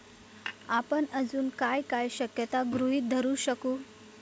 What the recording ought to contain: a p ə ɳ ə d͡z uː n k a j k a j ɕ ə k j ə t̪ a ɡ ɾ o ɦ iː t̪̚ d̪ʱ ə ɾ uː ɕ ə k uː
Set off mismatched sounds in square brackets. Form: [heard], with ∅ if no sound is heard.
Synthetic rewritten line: a p ə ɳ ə d͡z uː n k a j k a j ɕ ə k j ə t̪ a ɡ ɾ [u] ɦ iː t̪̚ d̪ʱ ə ɾ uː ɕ ə k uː